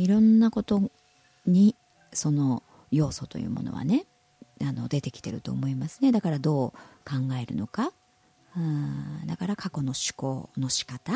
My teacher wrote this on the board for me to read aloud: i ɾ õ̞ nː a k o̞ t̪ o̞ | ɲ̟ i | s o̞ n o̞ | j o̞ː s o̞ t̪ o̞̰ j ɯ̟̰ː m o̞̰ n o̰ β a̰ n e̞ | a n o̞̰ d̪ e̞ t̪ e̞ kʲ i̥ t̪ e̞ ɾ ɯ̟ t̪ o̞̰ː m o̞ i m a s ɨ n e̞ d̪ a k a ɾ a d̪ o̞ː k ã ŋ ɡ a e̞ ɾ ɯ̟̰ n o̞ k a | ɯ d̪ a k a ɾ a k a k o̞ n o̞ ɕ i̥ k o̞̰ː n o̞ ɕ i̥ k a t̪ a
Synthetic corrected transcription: i ɾ õ̞ nː a k o̞ t̪ o̞ | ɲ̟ i | s o̞ n o̞ | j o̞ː s o̞ t̪ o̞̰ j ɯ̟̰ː m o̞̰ n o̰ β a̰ n e̞ | a n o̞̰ d̪ e̞ t̪ e̞ kʲ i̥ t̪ e̞ ɾ ɯ̟ t̪ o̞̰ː m o̞ i m a s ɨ n e̞ d̪ a k a ɾ a d̪ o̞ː k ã ŋ ɡ a e̞ ɾ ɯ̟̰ n o̞ k a | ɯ d̪ a k a ɾ a k a k o̞ n o̞ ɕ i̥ k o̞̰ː n o̞ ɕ i̥ k a t̪ a